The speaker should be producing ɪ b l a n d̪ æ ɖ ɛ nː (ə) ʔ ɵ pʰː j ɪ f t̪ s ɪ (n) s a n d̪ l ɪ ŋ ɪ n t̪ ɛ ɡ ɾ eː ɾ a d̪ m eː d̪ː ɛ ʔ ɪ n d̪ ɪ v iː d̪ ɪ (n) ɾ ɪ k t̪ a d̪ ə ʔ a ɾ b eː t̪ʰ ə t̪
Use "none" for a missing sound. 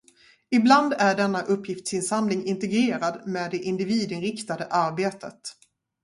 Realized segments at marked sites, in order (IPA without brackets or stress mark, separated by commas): a, n, n